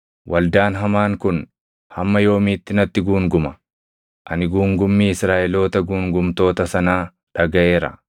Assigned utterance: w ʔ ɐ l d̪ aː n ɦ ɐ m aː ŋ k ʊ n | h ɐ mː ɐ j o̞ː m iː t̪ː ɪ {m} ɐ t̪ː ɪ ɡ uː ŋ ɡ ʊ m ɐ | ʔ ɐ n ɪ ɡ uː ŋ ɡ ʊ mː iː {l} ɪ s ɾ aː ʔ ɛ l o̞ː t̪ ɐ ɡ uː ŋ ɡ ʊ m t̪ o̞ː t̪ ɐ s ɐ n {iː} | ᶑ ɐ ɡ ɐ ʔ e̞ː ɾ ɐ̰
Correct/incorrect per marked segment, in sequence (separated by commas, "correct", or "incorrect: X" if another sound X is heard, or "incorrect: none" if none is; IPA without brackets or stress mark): incorrect: n, incorrect: none, incorrect: aː